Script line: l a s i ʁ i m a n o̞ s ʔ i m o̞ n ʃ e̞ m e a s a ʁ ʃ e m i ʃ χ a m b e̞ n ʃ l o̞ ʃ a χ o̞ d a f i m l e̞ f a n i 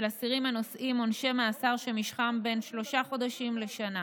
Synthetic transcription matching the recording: l a s i ʁ i m a n o̞ s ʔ i m o̞ n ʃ e̞ m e a s a ʁ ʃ e m i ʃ χ a m b e̞ n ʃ l o̞ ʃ a χ o̞ d a ʃ i m l e̞ ʃ a n a